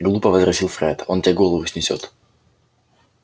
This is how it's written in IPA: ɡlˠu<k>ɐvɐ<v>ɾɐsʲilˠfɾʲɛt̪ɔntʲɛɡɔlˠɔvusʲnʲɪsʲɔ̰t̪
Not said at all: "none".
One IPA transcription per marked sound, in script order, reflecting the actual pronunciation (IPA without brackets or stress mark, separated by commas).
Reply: p, z